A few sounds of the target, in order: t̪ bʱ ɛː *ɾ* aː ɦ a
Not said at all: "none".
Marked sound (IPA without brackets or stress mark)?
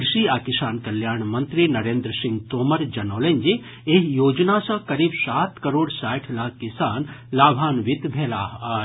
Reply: l